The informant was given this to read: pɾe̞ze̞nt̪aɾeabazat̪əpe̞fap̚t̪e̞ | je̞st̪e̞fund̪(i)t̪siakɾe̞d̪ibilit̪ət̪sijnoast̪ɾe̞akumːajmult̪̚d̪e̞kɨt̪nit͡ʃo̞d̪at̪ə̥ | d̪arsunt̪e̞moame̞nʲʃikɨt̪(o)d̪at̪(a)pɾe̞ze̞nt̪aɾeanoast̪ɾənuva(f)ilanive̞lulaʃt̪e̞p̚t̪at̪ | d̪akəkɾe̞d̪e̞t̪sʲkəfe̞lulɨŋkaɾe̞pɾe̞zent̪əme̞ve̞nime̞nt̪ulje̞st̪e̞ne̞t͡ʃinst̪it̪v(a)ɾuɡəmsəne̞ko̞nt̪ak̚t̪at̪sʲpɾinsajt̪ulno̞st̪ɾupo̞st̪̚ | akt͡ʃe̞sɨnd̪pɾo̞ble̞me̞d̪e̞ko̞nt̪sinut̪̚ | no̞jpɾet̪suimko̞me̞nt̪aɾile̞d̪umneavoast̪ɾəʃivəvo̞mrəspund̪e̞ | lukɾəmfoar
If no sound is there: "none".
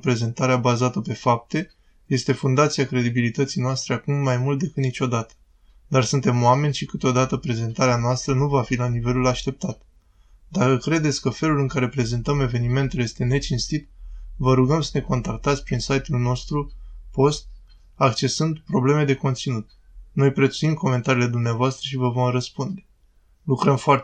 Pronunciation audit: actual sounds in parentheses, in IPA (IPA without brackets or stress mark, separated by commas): a, o, ə, f, ə